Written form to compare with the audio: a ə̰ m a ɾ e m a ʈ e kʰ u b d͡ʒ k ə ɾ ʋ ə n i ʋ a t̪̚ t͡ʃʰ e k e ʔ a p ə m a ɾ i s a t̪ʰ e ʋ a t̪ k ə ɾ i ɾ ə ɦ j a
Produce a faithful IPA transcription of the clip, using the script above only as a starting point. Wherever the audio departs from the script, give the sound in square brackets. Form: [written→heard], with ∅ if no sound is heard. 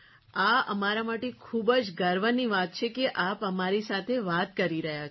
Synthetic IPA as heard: a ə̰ m a ɾ [e→a] m a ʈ e kʰ u b d͡ʒ [k→ɡ] ə ɾ ʋ ə n i ʋ a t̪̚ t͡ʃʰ e k e ʔ a p ə m a ɾ i s a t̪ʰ e ʋ a t̪ k ə ɾ i ɾ ə ɦ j a